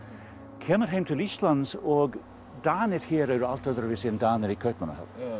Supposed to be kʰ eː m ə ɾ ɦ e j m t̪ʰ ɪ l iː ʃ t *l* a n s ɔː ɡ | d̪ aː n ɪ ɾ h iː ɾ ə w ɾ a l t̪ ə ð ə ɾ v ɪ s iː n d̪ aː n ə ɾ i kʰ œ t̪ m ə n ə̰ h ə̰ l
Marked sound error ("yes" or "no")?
no